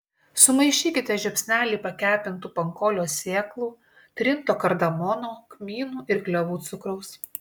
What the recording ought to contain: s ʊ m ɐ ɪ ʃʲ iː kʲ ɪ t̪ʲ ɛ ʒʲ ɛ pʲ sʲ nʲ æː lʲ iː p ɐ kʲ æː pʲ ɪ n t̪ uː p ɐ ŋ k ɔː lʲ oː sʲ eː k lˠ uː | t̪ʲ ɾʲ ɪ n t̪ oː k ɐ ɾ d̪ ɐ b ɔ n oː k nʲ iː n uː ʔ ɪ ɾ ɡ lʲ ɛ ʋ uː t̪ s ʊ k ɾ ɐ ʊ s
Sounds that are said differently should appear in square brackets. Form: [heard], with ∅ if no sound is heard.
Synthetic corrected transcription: s ʊ m ɐ ɪ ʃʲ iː kʲ ɪ t̪ʲ ɛ ʒʲ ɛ pʲ sʲ nʲ æː lʲ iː p ɐ kʲ æː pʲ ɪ n t̪ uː p ɐ ŋ k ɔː lʲ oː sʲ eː k lˠ uː | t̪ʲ ɾʲ ɪ n t̪ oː k ɐ ɾ d̪ ɐ [m] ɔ n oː k [mʲ] iː n uː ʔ ɪ ɾ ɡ lʲ ɛ ʋ uː t̪ s ʊ k ɾ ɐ ʊ s